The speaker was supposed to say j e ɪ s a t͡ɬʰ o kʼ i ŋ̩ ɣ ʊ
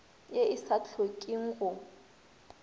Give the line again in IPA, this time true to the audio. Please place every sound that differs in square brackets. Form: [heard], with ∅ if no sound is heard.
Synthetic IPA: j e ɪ s a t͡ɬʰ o kʼ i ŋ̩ ɣ ʊ